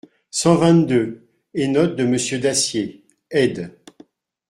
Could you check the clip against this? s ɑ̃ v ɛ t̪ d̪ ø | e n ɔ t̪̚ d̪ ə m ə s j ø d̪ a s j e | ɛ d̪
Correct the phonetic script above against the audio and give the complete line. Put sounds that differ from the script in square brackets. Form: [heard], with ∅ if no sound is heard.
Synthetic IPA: s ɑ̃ v [ɛ̃] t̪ d̪ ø | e n ɔ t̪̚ d̪ ə m ə s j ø d̪ a s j e | ɛ d̪